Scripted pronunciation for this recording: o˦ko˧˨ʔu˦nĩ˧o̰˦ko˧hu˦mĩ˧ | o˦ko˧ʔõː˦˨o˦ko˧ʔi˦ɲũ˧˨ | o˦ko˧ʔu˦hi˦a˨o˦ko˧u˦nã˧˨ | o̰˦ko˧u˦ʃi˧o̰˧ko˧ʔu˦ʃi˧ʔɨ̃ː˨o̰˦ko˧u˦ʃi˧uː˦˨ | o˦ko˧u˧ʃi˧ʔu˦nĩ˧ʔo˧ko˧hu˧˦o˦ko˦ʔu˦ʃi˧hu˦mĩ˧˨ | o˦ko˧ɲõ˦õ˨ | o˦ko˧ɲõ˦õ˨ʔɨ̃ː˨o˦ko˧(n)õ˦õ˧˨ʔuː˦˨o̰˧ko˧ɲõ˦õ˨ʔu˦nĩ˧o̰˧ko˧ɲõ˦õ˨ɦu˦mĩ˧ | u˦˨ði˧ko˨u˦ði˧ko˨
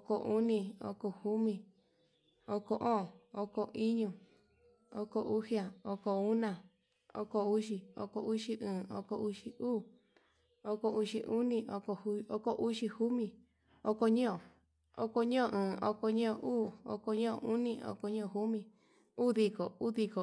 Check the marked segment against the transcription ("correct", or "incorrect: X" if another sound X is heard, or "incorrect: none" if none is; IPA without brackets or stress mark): incorrect: ɲ